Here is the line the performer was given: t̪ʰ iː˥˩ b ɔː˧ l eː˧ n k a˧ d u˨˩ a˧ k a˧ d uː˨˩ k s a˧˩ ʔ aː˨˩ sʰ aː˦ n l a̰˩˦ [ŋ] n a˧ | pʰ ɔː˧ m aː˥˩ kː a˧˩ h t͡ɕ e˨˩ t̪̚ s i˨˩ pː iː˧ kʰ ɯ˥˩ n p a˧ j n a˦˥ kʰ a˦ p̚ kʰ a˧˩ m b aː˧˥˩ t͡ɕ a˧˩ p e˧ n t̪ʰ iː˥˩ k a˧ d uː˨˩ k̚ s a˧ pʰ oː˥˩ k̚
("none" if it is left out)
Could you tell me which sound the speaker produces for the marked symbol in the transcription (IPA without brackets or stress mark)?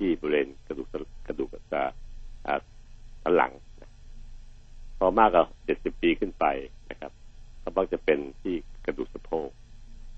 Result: ŋ